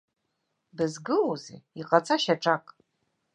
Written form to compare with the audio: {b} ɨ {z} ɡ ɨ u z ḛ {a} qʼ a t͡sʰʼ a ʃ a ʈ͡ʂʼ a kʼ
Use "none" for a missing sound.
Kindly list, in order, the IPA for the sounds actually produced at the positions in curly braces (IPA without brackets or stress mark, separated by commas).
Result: b, z, i